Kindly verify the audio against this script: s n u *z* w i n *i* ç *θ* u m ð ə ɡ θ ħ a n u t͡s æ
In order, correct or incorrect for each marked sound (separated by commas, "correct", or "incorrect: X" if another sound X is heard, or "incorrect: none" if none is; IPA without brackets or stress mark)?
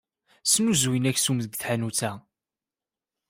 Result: correct, incorrect: æ, incorrect: s